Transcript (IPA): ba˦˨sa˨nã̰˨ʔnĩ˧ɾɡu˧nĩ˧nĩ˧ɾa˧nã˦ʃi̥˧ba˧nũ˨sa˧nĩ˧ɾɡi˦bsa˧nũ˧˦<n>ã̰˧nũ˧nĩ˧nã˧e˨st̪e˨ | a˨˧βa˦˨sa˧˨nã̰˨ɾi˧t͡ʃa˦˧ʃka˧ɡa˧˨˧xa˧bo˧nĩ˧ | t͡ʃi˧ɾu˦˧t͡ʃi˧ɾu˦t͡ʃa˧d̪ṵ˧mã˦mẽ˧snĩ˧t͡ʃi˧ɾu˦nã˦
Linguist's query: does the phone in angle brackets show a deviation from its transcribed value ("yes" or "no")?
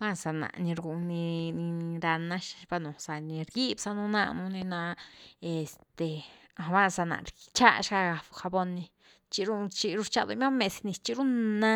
no